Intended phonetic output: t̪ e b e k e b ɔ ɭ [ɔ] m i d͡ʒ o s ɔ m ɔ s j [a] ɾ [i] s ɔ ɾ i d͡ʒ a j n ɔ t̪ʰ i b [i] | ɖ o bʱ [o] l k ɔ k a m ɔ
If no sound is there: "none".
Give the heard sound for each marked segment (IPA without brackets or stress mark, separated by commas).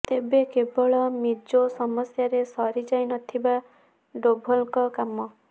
ɔ, a, e, a, ɔ